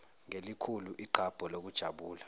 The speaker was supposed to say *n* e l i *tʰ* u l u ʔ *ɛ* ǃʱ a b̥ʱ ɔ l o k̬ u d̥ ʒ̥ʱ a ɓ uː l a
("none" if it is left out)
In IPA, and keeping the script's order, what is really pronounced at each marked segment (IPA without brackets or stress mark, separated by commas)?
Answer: ŋ, kʰ, i